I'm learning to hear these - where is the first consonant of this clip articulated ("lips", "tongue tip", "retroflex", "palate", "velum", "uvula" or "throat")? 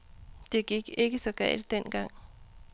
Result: tongue tip